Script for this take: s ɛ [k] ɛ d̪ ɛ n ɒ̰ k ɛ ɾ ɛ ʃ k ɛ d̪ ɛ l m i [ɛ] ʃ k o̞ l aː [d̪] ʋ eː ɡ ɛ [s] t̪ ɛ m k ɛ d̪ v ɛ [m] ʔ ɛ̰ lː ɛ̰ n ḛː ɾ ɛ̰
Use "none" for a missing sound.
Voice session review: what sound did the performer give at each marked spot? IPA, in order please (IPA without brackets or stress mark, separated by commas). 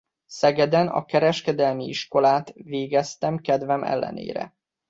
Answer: ɡ, i, t̪, s, m